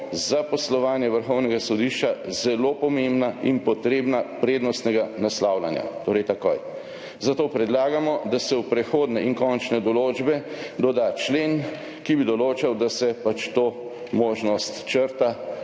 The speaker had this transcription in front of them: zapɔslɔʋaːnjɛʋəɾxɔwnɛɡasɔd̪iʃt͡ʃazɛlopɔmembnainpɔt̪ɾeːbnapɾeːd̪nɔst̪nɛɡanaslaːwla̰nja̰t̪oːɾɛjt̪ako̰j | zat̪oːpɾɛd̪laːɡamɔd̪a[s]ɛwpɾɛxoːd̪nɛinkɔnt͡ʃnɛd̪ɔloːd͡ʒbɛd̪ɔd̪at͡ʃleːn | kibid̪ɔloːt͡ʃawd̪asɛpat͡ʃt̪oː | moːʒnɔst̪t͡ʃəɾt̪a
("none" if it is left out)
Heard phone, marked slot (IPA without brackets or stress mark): s